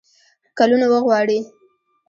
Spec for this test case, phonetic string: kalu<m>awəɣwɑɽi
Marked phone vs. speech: incorrect: n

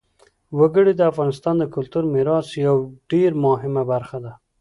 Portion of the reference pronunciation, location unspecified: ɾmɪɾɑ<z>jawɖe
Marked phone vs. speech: incorrect: s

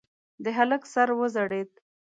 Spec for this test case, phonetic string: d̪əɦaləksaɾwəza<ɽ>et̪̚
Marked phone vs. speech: correct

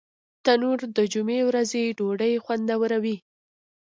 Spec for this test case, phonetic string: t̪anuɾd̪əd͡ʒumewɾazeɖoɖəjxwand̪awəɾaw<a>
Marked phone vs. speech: incorrect: i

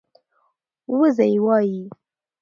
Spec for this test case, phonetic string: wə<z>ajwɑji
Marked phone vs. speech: correct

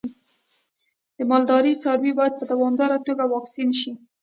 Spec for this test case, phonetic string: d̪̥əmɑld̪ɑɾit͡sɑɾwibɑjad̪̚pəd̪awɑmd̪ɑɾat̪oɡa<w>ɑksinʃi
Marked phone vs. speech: correct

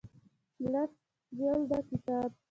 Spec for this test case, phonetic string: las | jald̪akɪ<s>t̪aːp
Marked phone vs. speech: incorrect: none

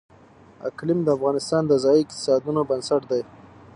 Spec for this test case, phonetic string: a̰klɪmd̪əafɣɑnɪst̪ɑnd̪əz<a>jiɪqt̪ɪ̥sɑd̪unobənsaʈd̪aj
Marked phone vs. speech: incorrect: ɑ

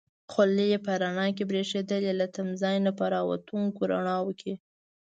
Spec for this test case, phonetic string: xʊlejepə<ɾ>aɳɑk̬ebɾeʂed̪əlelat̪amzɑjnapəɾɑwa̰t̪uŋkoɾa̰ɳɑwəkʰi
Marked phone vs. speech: correct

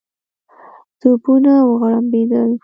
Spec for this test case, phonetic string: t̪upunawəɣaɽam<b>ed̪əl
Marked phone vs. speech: correct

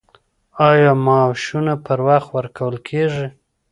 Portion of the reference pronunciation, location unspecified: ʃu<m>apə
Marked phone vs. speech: incorrect: n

